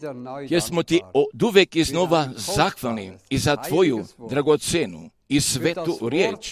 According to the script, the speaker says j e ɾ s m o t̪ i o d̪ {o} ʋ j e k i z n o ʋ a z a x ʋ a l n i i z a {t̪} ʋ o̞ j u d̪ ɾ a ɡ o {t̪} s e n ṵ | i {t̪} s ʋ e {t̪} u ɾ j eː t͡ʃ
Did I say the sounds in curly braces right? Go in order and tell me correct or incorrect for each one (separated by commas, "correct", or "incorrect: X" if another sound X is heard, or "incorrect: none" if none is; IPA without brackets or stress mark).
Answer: incorrect: u, correct, correct, incorrect: none, correct